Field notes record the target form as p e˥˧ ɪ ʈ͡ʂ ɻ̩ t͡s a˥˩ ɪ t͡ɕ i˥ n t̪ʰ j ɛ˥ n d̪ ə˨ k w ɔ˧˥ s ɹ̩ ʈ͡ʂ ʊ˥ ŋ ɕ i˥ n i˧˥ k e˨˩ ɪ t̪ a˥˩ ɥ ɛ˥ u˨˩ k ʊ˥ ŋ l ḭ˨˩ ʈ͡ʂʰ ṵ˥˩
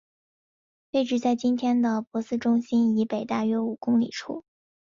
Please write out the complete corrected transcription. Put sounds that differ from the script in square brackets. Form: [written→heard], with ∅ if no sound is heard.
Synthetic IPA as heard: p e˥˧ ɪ ʈ͡ʂ ɻ̩ t͡s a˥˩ ɪ t͡ɕ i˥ n t̪ʰ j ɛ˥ n d̪ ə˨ [k→p] w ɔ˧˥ s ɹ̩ ʈ͡ʂ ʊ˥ ŋ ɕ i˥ n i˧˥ [k→p] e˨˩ ɪ t̪ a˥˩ ɥ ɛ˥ u˨˩ k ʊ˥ ŋ l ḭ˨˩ ʈ͡ʂʰ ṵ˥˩